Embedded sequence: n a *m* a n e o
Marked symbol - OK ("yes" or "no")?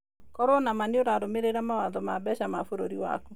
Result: yes